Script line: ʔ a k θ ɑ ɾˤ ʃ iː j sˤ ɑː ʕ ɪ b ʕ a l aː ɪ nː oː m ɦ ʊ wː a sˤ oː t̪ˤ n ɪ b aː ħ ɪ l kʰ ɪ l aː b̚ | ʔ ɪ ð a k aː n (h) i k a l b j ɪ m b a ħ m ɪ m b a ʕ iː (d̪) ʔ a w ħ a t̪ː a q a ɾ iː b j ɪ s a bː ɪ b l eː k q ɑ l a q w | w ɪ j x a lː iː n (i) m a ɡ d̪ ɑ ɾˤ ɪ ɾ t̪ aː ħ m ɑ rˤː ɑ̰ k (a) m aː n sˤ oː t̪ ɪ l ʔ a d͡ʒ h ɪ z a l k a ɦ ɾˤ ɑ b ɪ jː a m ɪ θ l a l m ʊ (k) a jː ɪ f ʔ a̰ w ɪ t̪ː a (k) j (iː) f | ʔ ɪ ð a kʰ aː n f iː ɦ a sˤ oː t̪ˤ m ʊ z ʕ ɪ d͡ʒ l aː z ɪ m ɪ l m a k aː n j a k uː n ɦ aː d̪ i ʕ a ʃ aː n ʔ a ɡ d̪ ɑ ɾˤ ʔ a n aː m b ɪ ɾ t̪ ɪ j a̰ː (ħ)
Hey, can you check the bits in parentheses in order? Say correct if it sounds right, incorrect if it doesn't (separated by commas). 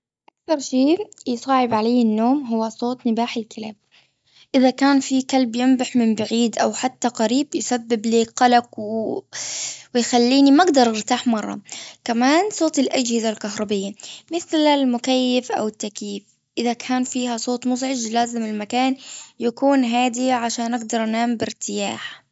incorrect, correct, correct, correct, correct, correct, correct, correct